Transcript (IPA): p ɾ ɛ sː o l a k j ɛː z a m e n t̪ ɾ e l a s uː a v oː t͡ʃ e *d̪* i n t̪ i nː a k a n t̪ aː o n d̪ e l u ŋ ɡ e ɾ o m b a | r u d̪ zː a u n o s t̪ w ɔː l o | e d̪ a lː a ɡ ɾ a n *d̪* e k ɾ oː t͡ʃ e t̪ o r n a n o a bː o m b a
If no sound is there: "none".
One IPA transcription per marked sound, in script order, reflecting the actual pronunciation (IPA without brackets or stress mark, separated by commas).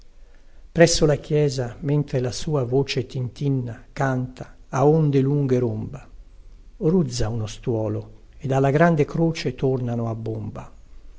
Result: t̪, d̪